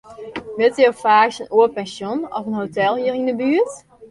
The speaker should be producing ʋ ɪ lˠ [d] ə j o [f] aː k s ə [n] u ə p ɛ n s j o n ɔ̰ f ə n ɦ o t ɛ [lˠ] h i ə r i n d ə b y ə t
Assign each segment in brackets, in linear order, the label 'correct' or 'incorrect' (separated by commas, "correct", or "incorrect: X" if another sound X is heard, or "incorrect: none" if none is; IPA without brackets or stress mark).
incorrect: t, correct, correct, correct